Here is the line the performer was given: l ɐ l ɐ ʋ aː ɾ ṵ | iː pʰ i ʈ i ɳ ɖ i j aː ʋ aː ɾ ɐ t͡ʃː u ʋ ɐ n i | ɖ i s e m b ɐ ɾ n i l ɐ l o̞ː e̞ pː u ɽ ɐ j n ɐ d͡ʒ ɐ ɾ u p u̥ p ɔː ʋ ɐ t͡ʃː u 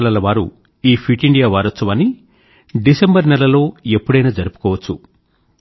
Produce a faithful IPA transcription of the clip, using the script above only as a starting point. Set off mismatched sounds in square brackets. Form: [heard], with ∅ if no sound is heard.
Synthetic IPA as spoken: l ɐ l ɐ ʋ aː ɾ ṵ | iː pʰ i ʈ i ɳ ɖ i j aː ʋ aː ɾ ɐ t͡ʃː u ʋ ɐ n i | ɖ i s e m b ɐ ɾ n [ɛ] l ɐ l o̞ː e̞ pː u ɽ ɐ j n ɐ d͡ʒ ɐ ɾ u p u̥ [k] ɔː ʋ ɐ t͡ʃː u